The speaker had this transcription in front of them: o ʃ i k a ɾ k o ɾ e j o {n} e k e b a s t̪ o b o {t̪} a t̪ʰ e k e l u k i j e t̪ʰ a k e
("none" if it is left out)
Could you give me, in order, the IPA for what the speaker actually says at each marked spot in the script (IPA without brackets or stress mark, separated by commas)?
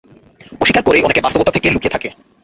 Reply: n, t̪